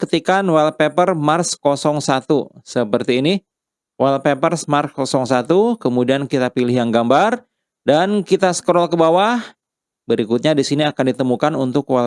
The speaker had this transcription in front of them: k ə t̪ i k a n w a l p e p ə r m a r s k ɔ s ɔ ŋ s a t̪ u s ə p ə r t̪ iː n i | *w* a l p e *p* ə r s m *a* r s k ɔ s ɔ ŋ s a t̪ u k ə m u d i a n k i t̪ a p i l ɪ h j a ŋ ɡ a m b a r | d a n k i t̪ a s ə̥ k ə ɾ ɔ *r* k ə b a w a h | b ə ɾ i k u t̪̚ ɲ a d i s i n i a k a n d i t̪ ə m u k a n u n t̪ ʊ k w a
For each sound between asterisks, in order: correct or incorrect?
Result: correct, correct, correct, incorrect

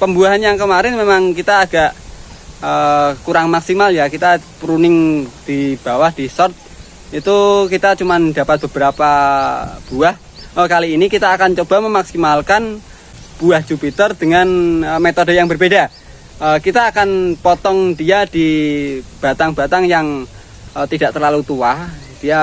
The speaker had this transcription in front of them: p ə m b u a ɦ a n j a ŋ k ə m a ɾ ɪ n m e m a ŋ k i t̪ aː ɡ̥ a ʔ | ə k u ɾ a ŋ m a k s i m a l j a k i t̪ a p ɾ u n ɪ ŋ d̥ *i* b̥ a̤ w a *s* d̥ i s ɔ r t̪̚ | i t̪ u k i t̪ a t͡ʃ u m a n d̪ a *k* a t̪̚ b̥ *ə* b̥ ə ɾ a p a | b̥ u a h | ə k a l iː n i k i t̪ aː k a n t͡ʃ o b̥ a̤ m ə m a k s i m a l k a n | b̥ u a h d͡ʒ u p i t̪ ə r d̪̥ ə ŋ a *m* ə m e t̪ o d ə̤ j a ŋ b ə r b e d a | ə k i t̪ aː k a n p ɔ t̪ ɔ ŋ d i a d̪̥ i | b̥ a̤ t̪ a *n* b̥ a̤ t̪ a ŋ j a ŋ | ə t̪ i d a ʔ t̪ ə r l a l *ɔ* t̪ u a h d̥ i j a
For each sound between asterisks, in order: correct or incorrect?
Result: correct, incorrect, incorrect, correct, incorrect, incorrect, incorrect

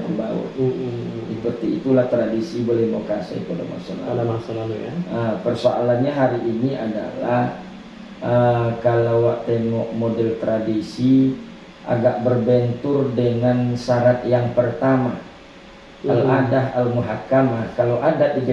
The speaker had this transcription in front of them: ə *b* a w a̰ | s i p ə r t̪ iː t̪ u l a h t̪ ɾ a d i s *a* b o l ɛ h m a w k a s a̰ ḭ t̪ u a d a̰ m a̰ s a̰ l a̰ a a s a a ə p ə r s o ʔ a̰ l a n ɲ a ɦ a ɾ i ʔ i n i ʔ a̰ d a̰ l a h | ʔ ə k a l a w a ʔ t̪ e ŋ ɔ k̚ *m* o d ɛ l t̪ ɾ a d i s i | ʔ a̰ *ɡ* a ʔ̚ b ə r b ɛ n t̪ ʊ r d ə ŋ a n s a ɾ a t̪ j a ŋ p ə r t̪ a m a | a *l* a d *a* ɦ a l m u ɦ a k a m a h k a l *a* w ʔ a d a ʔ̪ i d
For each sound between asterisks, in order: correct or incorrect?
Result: correct, incorrect, correct, correct, correct, correct, correct

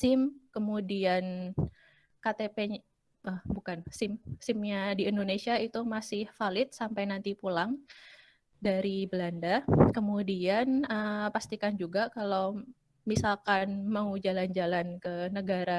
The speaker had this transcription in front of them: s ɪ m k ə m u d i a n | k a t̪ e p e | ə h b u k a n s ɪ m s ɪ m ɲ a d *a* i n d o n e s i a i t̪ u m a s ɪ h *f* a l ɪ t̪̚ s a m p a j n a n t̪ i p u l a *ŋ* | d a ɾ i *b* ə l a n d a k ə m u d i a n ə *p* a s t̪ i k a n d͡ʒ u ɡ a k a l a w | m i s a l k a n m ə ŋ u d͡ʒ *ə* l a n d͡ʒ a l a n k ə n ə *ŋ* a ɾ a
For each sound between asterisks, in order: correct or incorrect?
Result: incorrect, correct, correct, correct, correct, incorrect, incorrect

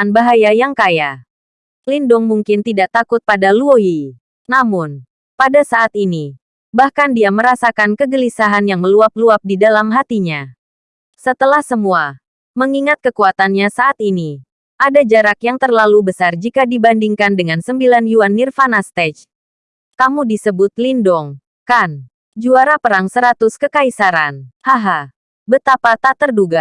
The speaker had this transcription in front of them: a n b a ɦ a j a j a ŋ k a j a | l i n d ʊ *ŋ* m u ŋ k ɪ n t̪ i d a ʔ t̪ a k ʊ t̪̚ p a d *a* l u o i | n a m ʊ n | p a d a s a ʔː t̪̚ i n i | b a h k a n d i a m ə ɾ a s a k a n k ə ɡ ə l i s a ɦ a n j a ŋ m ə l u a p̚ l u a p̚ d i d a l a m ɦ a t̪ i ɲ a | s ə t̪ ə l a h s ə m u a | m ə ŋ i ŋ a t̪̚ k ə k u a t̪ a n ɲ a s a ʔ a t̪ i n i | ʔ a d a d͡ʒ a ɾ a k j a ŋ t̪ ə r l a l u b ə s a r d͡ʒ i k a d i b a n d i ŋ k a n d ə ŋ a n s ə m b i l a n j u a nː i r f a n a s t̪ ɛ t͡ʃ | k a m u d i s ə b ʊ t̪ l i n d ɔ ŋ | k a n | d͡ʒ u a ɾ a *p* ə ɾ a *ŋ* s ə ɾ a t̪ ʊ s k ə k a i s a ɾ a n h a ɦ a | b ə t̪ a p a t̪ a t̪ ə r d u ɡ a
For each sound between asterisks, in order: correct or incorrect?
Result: correct, correct, correct, correct

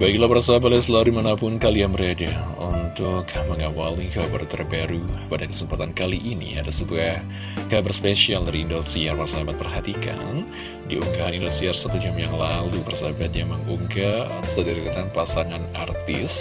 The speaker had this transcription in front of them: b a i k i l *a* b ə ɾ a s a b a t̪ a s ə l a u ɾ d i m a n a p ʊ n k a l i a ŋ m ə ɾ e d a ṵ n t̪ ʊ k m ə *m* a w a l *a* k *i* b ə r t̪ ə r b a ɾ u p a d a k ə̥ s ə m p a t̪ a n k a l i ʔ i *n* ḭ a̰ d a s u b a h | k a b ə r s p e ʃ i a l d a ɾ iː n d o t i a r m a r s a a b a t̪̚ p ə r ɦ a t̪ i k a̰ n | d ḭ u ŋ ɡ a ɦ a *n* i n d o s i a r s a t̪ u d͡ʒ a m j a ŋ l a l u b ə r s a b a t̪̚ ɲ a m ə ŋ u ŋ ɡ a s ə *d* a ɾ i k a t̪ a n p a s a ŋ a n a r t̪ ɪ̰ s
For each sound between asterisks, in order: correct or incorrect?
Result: correct, incorrect, incorrect, incorrect, correct, correct, correct

